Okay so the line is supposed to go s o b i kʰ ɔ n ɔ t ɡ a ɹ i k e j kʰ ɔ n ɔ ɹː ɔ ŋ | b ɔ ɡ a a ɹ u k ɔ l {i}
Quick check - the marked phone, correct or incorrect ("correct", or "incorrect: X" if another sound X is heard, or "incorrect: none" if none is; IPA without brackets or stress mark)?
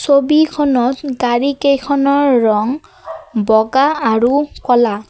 incorrect: a